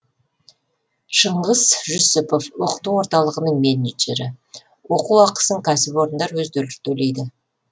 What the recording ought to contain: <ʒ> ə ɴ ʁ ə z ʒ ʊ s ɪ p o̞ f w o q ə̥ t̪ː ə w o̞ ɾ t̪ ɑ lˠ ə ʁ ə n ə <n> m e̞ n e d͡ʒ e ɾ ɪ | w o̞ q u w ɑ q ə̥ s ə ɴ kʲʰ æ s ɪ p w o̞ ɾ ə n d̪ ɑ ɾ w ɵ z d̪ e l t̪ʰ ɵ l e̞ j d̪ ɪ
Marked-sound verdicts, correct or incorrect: incorrect, incorrect

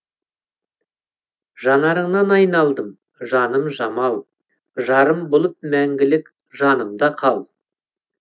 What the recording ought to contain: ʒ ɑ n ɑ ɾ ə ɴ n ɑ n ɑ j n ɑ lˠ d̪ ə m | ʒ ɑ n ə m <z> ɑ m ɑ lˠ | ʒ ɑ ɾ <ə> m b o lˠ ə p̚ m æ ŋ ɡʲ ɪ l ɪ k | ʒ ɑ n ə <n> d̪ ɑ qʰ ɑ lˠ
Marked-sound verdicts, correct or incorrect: incorrect, correct, incorrect

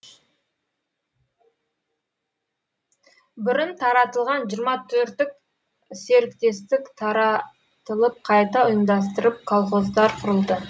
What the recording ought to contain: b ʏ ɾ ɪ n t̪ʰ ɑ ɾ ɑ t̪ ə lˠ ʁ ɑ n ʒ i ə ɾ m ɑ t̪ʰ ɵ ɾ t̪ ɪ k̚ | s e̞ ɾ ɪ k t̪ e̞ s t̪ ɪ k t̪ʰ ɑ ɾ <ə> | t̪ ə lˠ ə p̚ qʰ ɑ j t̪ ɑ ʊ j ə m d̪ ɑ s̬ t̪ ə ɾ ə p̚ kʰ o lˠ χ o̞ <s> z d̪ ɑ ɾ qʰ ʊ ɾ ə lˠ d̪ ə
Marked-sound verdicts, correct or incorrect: incorrect, incorrect

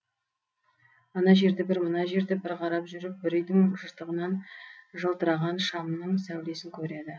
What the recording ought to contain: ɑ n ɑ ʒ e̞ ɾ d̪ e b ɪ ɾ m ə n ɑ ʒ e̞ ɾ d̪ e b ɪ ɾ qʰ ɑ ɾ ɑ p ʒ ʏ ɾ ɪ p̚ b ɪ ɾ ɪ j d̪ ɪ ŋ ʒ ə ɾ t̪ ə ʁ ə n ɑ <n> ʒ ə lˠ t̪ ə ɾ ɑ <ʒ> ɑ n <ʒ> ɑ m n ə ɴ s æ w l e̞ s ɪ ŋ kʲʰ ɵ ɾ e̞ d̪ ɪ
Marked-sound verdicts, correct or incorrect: correct, incorrect, incorrect

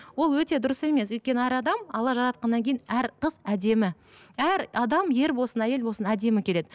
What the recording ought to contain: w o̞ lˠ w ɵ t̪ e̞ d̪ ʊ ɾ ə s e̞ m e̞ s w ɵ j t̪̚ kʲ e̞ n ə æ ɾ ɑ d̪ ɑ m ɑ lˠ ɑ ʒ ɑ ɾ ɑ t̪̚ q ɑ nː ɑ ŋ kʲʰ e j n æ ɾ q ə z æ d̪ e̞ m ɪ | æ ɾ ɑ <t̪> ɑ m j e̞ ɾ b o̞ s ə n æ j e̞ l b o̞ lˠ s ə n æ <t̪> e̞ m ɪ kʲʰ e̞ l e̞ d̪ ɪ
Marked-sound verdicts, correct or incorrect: incorrect, incorrect

